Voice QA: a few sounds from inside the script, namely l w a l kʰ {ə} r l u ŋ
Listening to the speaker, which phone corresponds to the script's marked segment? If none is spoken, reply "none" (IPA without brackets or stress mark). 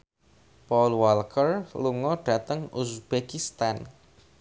ə